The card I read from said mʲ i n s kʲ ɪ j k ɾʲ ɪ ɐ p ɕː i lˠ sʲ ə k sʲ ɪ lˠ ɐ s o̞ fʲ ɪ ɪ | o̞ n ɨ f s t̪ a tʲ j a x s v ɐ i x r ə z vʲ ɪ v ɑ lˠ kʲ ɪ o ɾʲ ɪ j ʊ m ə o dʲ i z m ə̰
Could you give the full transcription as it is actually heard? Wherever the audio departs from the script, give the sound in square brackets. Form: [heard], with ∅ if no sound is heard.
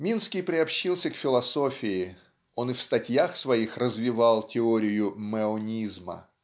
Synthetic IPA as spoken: mʲ i n s kʲ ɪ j [p] ɾʲ ɪ ɐ p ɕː i lˠ sʲ ə k [fʲ] ɪ lˠ ɐ s o̞ fʲ ɪ ɪ | o̞ n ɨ f s t̪ [ɐ] tʲ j a x s v ɐ i x r ə z vʲ ɪ v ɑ lˠ [tʲ] ɪ o ɾʲ ɪ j ʊ m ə o [nʲ] i z m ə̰